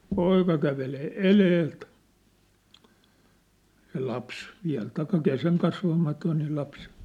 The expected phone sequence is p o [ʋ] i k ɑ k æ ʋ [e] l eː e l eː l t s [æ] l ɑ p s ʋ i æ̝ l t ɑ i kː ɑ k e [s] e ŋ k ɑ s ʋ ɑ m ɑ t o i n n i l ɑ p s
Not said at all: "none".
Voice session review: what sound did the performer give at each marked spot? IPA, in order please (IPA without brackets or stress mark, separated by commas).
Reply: none, e, e, s